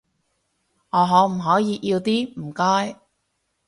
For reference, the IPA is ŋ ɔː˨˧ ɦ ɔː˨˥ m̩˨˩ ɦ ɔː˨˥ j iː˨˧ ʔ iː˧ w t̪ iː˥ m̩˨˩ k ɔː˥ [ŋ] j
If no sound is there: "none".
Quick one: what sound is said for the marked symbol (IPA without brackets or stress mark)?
none